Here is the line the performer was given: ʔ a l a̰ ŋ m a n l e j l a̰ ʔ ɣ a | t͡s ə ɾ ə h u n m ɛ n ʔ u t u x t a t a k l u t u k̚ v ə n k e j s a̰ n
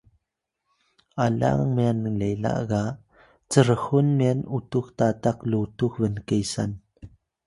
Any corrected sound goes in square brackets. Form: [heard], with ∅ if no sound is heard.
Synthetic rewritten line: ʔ a l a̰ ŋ m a n l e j l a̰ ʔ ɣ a | t͡s ə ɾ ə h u n m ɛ n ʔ u t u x t a t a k l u t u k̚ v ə n k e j s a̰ n